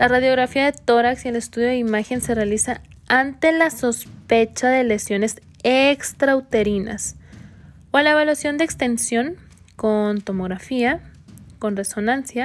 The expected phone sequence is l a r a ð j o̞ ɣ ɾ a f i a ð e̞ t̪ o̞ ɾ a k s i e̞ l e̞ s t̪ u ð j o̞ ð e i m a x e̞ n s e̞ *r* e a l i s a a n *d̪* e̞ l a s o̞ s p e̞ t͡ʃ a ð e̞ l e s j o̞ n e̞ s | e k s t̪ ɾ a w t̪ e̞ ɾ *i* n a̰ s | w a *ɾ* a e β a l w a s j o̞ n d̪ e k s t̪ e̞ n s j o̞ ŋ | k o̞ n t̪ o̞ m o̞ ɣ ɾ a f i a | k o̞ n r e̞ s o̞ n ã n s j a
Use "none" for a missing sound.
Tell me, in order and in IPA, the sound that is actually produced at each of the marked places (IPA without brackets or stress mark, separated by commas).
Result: r, t̪, i, l